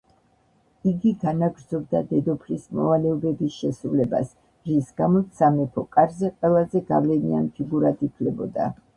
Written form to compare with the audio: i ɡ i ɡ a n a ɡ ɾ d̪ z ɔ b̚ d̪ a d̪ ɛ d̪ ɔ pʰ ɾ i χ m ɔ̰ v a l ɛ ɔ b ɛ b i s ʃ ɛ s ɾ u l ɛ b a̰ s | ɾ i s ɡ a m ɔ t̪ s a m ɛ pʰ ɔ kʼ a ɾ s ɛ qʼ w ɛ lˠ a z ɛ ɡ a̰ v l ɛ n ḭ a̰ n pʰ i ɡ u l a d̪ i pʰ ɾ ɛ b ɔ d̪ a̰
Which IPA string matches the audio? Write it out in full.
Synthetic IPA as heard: i ɡ i ɡ a n a ɡ ɾ d̪ z ɔ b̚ d̪ a d̪ ɛ d̪ ɔ pʰ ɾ i s m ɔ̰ v a l ɛ ɔ b ɛ b i s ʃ ɛ s ɾ u l ɛ b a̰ s | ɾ i s ɡ a m ɔ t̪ s a m ɛ pʰ ɔ kʼ a ɾ z ɛ qʼ w ɛ lˠ a z ɛ ɡ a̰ v l ɛ n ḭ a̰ n pʰ i ɡ u ɾ a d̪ i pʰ l ɛ b ɔ d̪ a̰